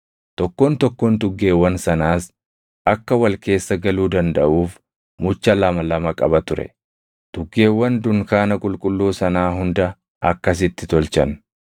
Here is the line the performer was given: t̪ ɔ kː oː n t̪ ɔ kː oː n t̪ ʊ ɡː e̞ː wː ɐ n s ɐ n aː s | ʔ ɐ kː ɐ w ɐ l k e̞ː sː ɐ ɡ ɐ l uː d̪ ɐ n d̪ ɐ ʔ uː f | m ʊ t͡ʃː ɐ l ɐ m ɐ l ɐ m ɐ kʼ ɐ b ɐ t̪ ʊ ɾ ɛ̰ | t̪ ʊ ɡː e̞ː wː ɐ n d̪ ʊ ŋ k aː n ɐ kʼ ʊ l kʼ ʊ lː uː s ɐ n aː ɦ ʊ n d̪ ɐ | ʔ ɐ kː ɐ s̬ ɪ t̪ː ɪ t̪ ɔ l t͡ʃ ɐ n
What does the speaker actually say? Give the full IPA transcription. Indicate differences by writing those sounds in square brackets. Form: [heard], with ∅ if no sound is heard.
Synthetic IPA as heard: t̪ ɔ kː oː n t̪ ɔ kː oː n t̪ ʊ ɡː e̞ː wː ɐ n s ɐ n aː s | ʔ ɐ kː ɐ w ɐ l k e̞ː sː ɐ ɡ ɐ l uː d̪ ɐ n d̪ ɐ ʔ uː f | m ʊ t͡ʃː ɐ l ɐ m ɐ l ɐ m ɐ kʼ ɐ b ɐ t̪ ʊ ɾ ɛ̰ | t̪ ʊ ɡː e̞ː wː ɐ n d̪ ʊ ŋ k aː n ɐ kʼ ʊ l kʼ ʊ lː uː s ɐ n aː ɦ ʊ n d̪ ɐ | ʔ ɐ kː ɐ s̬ ɪ t̪ː ɪ t̪ ɔ l t͡ʃ ɐ n